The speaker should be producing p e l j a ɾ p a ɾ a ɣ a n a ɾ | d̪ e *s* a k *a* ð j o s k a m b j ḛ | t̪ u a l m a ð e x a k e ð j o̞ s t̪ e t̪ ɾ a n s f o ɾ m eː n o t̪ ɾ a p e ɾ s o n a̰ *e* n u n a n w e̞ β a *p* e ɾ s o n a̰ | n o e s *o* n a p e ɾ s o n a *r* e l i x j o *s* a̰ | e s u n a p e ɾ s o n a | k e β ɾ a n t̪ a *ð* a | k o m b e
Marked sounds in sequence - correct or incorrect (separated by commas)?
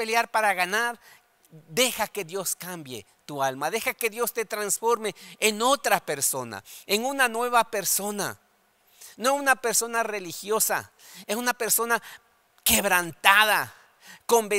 incorrect, incorrect, correct, correct, incorrect, correct, correct, correct